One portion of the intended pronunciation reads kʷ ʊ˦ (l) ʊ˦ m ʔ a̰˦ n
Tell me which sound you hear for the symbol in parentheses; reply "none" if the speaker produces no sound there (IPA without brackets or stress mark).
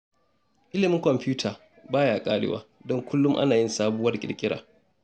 lː